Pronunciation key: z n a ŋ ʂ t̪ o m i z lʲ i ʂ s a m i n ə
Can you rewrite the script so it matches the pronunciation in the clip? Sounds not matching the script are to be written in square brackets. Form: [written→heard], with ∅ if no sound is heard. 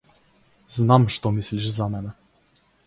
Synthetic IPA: z n a [ŋ→m] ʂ t̪ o m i [z→s] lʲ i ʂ [s→z] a m [i→ɛ] n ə